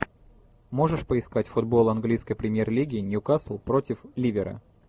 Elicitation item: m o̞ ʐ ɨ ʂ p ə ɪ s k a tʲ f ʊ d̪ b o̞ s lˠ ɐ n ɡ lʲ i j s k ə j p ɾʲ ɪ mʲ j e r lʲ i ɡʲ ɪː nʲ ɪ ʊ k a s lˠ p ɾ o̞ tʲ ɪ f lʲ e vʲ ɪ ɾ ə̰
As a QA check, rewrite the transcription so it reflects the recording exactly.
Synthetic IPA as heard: m o̞ ʐ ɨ ʂ p ə ɪ s k a tʲ f ʊ d̪ b o̞ lˠ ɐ n ɡ lʲ i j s k ə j p ɾʲ ɪ mʲ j e r lʲ i ɡʲ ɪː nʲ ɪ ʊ k a s lˠ p ɾ o̞ tʲ ɪ f lʲ i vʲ ɪ ɾ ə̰